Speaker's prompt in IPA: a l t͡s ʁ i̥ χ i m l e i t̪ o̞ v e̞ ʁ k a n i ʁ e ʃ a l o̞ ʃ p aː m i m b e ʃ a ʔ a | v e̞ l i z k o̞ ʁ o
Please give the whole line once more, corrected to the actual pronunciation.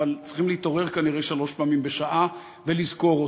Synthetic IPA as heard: a l t͡s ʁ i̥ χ i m l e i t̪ o̞ ʁ e̞ ʁ k a n i ʁ e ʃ a l o̞ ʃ p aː m i m b e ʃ a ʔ a | v e̞ l i z k o̞ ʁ o